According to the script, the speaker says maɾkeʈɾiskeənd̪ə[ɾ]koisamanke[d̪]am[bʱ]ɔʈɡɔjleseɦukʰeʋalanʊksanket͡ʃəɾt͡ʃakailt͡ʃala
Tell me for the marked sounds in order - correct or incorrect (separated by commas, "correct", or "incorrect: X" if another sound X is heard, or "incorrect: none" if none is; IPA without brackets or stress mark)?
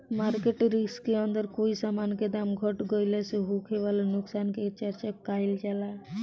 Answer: correct, correct, incorrect: ɡʱ